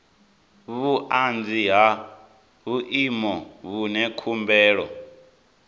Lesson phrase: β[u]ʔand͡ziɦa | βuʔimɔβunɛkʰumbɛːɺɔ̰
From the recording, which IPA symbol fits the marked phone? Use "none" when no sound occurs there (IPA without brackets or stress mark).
u